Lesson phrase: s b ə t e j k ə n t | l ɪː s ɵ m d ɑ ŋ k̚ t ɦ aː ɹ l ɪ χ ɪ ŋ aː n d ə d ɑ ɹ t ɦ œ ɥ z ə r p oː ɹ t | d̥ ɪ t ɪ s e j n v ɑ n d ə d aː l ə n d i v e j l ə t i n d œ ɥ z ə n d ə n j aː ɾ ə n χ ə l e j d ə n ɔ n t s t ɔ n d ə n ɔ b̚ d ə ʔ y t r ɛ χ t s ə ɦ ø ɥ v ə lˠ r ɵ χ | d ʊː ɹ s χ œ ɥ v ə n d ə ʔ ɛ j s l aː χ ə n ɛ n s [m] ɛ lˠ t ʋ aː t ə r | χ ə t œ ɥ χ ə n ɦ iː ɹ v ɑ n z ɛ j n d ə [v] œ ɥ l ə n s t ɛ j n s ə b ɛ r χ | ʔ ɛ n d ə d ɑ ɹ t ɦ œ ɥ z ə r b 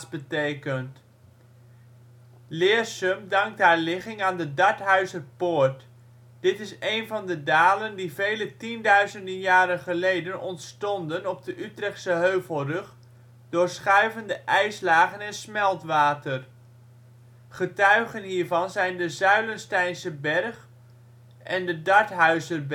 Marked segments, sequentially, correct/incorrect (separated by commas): correct, incorrect